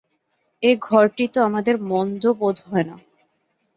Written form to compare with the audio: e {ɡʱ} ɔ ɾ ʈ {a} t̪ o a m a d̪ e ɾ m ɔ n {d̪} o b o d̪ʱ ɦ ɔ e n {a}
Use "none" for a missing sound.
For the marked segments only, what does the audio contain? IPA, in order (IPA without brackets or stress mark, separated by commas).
ɡʱ, i, d̪, a